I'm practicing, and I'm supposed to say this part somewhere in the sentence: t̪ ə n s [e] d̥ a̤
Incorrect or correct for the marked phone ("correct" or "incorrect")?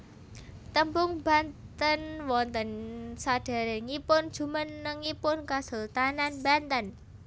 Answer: incorrect